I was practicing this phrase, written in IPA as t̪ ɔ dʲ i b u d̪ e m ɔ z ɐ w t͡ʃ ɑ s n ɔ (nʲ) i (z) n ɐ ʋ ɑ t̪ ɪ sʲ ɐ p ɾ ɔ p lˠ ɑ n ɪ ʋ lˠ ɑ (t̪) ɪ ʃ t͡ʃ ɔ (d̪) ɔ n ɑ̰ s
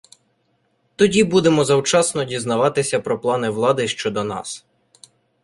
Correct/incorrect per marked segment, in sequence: incorrect: dʲ, correct, incorrect: d̪, correct

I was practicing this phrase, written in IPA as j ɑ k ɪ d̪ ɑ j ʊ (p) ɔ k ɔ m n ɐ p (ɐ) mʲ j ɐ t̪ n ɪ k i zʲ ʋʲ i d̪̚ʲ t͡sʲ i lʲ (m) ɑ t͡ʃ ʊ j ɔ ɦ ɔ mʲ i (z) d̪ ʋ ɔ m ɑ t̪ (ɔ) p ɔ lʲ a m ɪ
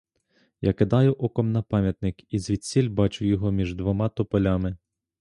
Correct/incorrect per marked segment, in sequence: incorrect: ʔ, incorrect: ɑ, incorrect: b, incorrect: ʒ, correct

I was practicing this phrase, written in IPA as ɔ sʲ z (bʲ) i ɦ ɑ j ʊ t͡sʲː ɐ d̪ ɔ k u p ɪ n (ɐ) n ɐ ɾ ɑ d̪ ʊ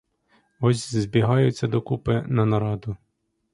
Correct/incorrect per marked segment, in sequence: correct, correct

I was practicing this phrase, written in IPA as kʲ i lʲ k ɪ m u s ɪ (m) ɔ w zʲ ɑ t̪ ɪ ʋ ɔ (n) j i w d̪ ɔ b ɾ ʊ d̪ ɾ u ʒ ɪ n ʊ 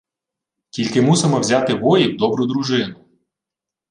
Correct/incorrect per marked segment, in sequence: correct, incorrect: none

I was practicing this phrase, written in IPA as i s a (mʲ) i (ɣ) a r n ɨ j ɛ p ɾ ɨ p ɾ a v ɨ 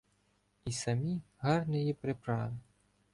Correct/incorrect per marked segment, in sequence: correct, correct

